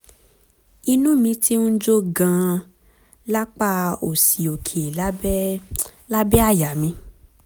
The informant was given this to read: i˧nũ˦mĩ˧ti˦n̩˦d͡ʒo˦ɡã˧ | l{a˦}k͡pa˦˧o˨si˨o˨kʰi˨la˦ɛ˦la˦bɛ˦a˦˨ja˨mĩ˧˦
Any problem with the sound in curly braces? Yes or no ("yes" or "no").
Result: no